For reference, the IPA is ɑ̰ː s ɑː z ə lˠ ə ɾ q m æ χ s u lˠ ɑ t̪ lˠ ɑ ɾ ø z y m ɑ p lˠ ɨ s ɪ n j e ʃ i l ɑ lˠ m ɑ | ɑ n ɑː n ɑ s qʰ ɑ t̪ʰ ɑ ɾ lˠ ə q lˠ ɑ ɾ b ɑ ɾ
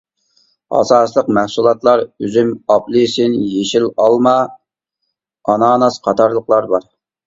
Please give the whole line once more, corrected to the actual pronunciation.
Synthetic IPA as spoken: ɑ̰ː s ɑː s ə lˠ ə q m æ h s u lˠ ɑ t̪ lˠ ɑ ɾ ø z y m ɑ p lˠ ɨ s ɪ n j e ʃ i l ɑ lˠ m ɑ | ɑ n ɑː n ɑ s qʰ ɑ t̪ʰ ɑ ɾ lˠ ə q lˠ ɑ ɾ b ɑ ɾ